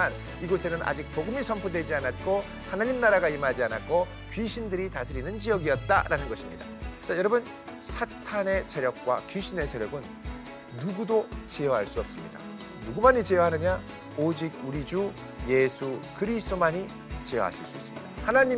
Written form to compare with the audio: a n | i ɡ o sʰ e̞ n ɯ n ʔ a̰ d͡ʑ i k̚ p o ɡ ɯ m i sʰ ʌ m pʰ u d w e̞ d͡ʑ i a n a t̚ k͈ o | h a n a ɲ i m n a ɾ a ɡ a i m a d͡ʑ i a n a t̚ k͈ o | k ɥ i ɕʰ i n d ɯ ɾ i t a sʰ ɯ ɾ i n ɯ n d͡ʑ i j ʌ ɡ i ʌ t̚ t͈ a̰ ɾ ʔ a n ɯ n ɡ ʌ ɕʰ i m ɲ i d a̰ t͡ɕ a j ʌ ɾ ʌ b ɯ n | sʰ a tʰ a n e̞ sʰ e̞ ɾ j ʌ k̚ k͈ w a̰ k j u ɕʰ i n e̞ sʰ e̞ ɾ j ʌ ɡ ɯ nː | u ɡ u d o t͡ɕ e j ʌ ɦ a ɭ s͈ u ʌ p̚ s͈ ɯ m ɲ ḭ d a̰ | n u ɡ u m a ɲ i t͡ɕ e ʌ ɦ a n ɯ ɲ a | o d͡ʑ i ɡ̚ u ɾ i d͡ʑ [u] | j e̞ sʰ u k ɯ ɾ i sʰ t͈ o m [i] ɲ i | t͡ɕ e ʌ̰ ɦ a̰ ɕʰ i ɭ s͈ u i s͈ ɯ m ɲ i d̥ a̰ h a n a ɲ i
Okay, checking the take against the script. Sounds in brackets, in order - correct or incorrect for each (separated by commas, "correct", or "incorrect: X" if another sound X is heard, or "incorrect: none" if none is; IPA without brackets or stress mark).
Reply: correct, incorrect: a